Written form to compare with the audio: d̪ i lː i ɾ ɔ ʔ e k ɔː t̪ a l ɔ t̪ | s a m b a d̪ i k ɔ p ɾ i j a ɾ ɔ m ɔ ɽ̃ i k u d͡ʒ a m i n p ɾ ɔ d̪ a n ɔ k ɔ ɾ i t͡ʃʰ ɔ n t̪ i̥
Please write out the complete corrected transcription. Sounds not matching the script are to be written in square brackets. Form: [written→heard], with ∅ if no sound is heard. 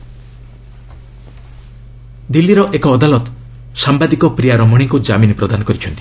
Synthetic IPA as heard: d̪ i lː i ɾ ɔ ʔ e k ɔː [t̪→d̪] a l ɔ t̪ | s a m b a d̪ i k ɔ p ɾ i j a ɾ ɔ m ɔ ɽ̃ i k u d͡ʒ a m i n p ɾ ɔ d̪ a n ɔ k ɔ ɾ i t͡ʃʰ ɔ n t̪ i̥